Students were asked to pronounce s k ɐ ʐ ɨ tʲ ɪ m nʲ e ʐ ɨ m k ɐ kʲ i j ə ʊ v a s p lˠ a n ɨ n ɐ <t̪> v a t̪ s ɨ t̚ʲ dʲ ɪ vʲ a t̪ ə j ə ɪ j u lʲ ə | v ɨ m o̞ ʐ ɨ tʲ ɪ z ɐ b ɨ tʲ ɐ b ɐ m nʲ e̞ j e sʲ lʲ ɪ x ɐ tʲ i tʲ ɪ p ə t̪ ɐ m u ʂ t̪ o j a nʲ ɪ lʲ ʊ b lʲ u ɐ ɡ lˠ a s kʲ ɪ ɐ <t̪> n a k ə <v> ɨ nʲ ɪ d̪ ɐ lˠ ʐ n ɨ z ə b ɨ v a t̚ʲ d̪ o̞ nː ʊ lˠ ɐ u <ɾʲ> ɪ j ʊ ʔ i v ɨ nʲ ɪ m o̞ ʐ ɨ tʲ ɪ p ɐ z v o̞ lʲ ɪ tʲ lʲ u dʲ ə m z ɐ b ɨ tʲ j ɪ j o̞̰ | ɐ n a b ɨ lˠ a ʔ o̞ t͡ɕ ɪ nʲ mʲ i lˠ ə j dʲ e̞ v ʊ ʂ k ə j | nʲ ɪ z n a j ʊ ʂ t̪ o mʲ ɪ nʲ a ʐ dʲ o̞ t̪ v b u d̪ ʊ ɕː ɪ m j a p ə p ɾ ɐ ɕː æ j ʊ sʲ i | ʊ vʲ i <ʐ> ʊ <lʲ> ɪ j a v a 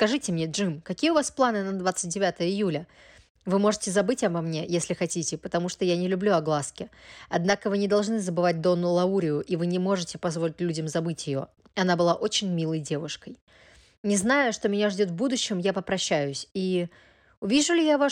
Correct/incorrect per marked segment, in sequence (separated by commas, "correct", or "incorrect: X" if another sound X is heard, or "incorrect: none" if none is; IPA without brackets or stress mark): incorrect: d̪, incorrect: d̪, correct, correct, correct, correct